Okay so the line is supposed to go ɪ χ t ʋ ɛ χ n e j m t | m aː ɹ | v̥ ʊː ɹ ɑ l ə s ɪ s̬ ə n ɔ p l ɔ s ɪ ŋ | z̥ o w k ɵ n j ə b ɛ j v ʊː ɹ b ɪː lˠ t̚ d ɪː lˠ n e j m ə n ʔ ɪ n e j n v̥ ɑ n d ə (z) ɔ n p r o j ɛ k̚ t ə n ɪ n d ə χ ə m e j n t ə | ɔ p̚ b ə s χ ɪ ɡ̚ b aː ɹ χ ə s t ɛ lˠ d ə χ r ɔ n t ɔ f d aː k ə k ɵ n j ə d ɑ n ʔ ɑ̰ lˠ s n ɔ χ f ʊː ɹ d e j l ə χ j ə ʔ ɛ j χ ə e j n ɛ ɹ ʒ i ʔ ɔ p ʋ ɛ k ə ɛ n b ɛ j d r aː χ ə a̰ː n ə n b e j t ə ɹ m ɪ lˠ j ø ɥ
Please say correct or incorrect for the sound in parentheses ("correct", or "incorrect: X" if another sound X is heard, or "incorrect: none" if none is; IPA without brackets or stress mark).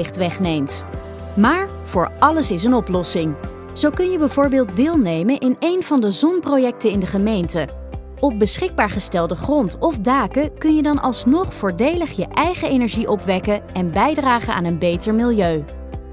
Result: correct